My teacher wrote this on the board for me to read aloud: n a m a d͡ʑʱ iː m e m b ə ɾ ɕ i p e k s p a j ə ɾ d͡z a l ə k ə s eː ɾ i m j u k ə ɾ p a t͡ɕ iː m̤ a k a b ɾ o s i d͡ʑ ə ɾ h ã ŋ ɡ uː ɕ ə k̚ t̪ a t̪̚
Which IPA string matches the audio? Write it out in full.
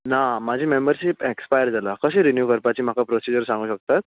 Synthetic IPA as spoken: n a m a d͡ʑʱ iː m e m b ə ɾ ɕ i p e k s p a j ə ɾ d͡z a l a k ə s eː ɾ i n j u k ə ɾ p a t͡ɕ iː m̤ a k a p ɾ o s i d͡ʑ ə ɾ s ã ŋ ɡ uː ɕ ə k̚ t̪ a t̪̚